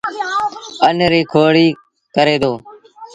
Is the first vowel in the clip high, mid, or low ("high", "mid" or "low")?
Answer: mid